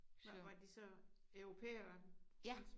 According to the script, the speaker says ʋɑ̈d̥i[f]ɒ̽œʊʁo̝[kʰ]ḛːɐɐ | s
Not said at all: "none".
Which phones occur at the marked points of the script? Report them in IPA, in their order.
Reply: s, pʰ

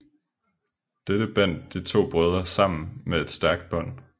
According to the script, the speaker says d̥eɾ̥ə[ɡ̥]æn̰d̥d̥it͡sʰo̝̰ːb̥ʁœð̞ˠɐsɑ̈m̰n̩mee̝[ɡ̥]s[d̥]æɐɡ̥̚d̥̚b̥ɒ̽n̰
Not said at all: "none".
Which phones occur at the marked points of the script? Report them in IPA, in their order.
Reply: b̥, d̥, d̥

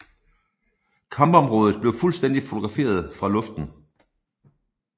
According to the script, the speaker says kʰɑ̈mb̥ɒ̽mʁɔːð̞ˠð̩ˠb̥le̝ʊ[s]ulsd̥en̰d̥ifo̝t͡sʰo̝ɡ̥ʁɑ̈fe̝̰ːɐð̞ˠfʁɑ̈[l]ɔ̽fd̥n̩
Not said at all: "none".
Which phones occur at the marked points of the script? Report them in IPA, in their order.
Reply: f, l

